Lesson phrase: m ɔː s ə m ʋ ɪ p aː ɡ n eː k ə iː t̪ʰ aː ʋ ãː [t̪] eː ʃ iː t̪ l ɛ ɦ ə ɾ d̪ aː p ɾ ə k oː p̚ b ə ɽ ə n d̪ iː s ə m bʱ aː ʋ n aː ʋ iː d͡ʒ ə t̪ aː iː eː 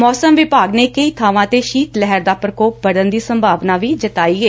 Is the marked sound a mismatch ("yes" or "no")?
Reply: no